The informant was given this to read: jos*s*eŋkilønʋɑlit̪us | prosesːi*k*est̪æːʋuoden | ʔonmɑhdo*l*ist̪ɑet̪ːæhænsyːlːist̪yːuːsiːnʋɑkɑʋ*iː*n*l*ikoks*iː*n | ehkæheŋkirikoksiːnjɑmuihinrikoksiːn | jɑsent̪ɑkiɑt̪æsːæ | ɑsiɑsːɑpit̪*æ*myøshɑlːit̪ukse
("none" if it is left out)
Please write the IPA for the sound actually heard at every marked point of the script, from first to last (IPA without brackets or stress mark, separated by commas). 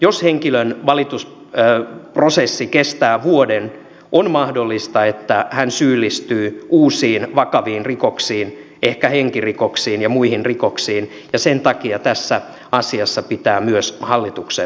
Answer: h, k, lː, iː, r, iː, æː